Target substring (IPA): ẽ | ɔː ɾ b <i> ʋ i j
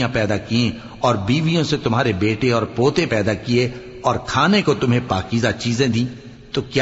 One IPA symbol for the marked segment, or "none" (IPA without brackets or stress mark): iː